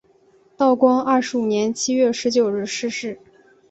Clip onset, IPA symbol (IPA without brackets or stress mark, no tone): t̪